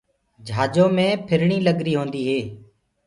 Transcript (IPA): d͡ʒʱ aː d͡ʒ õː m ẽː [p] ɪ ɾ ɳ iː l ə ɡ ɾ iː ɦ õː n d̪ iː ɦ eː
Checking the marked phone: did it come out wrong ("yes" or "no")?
yes